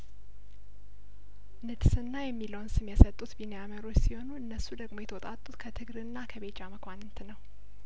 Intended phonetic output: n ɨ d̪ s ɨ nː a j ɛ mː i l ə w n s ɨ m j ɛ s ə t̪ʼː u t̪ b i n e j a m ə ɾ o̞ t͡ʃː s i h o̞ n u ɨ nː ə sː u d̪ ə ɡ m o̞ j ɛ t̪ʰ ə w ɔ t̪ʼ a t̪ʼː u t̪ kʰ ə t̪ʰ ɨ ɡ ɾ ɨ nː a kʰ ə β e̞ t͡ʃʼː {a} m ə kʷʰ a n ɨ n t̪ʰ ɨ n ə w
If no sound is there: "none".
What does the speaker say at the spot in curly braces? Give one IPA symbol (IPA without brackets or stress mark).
a